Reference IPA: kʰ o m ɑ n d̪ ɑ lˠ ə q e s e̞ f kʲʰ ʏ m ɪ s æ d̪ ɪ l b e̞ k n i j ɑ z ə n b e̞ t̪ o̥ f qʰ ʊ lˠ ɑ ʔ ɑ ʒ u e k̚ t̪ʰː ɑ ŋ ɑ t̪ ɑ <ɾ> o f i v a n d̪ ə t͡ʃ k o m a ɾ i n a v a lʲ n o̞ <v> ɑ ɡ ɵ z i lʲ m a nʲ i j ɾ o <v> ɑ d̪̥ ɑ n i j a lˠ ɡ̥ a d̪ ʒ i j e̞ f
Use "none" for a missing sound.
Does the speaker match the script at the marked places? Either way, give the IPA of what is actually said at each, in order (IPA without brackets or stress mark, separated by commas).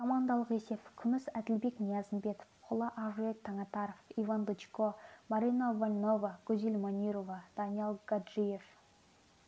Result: ɾ, v, v